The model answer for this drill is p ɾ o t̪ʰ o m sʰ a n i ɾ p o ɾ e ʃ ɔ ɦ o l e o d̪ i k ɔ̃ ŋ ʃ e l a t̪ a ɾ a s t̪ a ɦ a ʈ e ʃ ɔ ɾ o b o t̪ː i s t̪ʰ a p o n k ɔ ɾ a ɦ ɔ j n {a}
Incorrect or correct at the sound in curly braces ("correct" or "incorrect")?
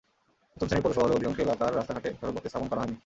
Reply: incorrect